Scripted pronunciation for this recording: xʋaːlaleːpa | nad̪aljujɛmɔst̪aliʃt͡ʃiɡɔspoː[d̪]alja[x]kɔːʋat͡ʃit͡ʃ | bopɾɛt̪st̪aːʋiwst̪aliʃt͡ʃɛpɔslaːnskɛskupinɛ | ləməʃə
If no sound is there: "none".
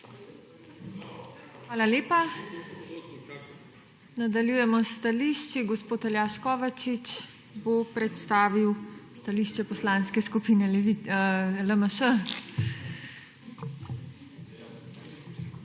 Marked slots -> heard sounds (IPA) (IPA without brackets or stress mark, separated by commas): t̪, ʃ